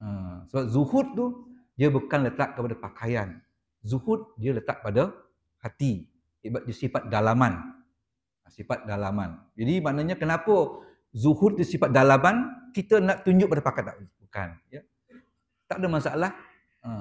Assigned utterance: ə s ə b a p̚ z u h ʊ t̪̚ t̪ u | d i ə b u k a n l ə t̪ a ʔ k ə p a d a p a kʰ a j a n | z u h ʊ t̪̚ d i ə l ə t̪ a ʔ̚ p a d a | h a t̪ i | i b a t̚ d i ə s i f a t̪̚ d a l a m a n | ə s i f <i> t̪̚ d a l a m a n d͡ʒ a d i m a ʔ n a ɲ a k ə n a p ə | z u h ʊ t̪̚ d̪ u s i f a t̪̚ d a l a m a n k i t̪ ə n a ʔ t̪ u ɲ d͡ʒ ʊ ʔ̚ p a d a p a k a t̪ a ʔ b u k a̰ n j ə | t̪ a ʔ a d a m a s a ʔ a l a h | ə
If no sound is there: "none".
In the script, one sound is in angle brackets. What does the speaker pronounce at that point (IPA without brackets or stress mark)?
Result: a